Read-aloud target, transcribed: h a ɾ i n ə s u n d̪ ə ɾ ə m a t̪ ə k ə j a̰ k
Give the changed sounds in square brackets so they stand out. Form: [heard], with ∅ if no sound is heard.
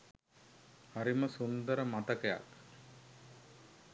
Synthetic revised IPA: h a ɾ i [m] ə s u n d̪ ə ɾ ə m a t̪ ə k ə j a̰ k